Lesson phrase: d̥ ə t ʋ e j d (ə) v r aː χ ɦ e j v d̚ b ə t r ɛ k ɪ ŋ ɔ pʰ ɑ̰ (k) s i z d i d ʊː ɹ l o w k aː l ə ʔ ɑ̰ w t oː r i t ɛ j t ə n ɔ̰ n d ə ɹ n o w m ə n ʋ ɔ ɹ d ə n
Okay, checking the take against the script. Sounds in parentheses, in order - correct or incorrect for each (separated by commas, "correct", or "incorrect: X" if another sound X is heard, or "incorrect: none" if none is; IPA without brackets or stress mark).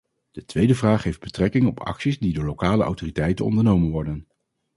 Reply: correct, correct